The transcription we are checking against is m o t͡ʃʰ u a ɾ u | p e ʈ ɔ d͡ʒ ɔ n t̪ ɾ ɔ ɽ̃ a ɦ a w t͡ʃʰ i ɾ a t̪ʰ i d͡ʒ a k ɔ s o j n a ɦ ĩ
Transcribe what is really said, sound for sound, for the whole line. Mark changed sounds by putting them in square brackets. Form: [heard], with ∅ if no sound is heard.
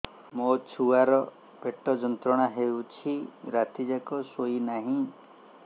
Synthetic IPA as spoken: m o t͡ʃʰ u a ɾ [ɔ] | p e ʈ ɔ d͡ʒ ɔ n t̪ ɾ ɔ ɽ̃ a ɦ [e] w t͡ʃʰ i ɾ a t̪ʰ i d͡ʒ a k ɔ s o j n a ɦ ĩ